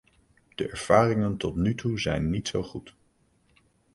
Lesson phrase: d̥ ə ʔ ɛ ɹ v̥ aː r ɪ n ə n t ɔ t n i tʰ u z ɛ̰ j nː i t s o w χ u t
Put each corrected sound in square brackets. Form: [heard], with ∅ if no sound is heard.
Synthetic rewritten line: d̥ ə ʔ ɛ ɹ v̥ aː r ɪ [ŋ] ə n t ɔ t n [y] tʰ u z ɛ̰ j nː i t s o w χ u t